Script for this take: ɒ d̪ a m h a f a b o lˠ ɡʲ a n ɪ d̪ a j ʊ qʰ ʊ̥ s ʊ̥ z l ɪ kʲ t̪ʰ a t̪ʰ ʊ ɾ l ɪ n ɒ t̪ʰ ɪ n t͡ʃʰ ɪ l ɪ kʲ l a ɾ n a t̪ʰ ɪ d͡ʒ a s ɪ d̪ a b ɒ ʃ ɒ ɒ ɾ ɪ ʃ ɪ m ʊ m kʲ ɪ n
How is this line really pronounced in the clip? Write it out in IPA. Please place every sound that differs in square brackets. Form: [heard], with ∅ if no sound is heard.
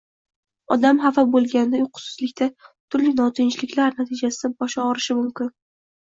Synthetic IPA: ɒ d̪ a m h a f a b o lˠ ɡʲ a n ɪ d̪ a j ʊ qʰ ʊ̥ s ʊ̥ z l ɪ kʲ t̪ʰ a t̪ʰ ʊ ɾ l ɪ n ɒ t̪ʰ ɪ n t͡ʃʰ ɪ l ɪ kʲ l a ɾ n a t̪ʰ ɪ d͡ʒ a s ɪ d̪ a b ɒ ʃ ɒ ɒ ɾ ɪ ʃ ɪ m ʊ m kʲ ɪ n